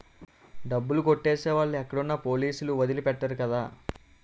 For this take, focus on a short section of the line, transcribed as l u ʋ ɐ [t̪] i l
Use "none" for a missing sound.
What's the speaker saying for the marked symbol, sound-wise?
d̪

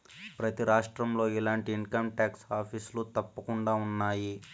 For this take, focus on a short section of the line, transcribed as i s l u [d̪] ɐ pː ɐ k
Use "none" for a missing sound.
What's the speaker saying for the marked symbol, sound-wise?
t̪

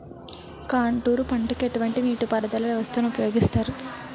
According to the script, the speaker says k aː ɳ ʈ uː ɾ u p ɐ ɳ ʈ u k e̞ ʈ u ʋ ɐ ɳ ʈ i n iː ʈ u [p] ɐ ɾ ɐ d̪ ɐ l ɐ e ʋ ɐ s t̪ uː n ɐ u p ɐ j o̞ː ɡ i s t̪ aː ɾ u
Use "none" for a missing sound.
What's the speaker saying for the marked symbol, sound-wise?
p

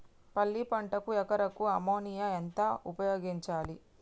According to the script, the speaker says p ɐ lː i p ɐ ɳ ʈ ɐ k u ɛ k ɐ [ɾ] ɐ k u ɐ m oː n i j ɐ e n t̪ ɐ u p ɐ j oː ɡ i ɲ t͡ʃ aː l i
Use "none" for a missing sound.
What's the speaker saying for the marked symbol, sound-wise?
ɾ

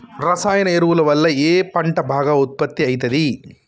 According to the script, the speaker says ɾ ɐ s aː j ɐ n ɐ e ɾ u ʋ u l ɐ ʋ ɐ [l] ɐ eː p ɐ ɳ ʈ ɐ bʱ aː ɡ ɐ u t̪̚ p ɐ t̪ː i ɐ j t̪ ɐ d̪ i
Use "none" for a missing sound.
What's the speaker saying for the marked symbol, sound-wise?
lː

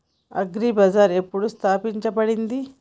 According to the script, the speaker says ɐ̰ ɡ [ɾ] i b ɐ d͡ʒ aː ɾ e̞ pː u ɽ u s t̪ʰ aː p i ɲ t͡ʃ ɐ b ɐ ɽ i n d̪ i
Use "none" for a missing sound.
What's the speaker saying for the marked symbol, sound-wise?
ɾ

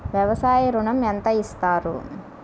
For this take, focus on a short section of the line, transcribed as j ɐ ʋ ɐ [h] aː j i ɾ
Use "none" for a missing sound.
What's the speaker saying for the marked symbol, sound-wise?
s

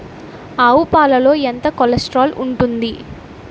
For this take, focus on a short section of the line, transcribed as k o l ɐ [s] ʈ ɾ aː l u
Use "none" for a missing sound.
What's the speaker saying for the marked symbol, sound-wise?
s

